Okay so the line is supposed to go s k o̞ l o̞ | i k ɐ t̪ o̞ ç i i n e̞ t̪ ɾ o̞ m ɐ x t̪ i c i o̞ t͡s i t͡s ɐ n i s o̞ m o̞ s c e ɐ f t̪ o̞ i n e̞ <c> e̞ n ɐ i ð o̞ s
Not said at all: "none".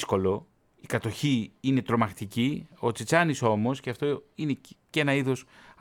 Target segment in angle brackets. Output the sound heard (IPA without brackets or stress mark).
c